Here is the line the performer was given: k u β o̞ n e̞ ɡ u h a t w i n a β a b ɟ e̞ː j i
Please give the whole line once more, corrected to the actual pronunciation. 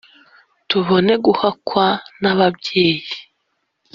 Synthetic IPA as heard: t u β o̞ n e̞ ɡ u h a k w a n a β a b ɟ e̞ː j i